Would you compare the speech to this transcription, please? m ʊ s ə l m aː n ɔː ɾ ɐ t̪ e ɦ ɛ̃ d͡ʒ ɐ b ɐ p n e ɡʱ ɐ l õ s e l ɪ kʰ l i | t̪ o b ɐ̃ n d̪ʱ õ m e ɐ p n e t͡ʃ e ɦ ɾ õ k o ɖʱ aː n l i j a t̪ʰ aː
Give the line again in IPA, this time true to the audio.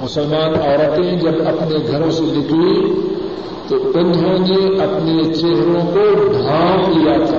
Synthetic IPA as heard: m ʊ s ə l m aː n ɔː ɾ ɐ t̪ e ɦ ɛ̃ d͡ʒ ɐ b ɐ p n e ɡʱ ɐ ɾ õ s e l ɪ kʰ l i | t̪ o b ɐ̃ n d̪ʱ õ n e ɐ p n e t͡ʃ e ɦ ɾ õ k o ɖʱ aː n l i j a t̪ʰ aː